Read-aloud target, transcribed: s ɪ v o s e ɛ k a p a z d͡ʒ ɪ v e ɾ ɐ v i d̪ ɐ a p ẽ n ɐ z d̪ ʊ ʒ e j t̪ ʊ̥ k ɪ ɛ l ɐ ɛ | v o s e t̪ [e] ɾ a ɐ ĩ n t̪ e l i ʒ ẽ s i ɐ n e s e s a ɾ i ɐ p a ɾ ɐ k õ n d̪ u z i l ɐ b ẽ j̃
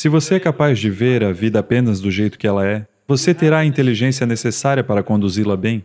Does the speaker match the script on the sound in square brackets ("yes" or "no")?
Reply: yes